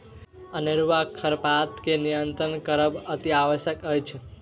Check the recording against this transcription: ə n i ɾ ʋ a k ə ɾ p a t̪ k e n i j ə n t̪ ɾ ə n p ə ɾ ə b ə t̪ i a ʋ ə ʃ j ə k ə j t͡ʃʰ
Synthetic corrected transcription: ə n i ɾ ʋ a kʰ ə ɾ p a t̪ k e n i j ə n t̪ ɾ ə n k ə ɾ ə b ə t̪ i a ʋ ə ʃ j ə k ə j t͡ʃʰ